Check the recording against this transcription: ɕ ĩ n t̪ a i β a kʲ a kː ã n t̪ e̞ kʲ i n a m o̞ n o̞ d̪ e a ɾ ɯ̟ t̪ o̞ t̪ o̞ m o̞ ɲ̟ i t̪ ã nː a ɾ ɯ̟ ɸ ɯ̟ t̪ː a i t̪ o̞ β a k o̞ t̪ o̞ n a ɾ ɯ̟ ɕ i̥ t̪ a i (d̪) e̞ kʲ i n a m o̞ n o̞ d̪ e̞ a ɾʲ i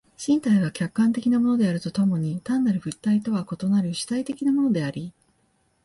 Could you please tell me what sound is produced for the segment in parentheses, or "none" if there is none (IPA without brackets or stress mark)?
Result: t̪